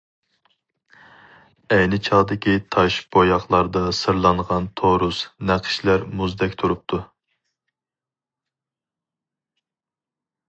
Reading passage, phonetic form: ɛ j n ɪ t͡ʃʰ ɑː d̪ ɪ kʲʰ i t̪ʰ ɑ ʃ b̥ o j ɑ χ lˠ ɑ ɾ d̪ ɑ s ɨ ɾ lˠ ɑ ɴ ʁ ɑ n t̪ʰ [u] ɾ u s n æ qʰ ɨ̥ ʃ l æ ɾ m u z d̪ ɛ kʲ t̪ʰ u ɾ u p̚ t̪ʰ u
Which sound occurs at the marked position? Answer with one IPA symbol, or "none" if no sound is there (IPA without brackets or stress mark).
o